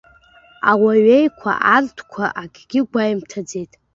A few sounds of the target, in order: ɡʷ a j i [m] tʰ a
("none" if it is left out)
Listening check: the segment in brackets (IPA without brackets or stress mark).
m